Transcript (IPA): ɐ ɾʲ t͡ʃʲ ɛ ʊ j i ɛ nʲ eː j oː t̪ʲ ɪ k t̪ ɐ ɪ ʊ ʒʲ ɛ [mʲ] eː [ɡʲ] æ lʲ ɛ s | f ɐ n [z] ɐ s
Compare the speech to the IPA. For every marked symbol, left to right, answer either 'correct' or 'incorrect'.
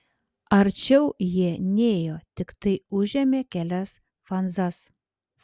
correct, incorrect: kʲ, correct

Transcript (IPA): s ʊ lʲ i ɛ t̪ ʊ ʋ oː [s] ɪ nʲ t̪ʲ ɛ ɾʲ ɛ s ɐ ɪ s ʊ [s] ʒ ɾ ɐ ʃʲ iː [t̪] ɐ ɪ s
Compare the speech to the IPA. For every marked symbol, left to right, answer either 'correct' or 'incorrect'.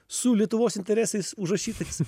correct, incorrect: none, correct

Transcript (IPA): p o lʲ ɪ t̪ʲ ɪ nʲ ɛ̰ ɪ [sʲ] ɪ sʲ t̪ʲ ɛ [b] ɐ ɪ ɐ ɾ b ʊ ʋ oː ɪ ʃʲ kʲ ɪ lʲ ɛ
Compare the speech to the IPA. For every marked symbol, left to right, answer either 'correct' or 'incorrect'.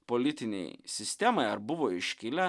correct, incorrect: m

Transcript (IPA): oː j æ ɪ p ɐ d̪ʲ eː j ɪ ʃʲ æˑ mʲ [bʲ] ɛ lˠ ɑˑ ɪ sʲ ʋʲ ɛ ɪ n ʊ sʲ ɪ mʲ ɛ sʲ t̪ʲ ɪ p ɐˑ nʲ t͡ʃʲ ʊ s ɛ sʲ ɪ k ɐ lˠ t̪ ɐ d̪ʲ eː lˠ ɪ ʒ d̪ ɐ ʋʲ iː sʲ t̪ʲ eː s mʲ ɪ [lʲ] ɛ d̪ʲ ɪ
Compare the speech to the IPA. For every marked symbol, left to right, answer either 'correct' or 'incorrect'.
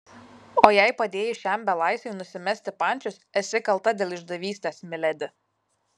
correct, correct

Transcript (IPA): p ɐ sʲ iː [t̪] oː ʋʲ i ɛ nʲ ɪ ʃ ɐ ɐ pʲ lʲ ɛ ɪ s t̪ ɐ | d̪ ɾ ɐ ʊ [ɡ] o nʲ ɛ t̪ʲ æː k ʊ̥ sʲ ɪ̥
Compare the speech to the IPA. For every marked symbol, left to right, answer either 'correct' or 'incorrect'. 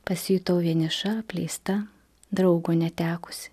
correct, correct

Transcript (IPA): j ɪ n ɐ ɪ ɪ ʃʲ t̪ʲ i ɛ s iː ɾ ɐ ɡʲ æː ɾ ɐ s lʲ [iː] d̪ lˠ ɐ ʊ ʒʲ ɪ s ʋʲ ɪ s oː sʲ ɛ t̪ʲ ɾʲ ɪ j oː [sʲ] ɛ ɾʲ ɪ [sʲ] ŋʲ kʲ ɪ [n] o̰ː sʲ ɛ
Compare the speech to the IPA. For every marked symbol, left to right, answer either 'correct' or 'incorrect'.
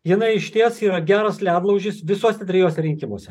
incorrect: æː, correct, incorrect: none, incorrect: m

